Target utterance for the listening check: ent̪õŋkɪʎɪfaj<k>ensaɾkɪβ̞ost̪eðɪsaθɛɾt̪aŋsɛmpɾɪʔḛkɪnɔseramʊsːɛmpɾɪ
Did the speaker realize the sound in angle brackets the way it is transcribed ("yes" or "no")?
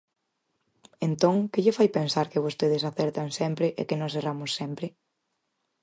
no